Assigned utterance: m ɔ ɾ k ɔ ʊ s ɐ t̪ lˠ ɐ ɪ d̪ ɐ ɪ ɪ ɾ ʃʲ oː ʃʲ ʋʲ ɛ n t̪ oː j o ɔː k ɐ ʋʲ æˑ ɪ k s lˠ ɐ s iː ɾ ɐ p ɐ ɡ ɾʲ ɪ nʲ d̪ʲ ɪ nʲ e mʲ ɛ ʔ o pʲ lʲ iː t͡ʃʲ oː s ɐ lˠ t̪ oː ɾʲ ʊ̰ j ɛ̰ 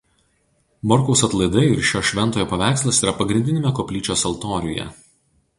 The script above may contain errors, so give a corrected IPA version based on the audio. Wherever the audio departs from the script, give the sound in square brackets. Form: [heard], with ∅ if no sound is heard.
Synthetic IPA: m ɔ ɾ k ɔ ʊ s ɐ t̪ lˠ ɐ ɪ d̪ ɐ ɪ ɪ ɾ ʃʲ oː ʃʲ ʋʲ ɛ n t̪ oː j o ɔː [p] ɐ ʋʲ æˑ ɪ k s lˠ ɐ s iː ɾ ɐ p ɐ ɡ ɾʲ ɪ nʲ d̪ʲ ɪ nʲ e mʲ ɛ [k] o pʲ lʲ iː t͡ʃʲ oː s ɐ lˠ t̪ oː ɾʲ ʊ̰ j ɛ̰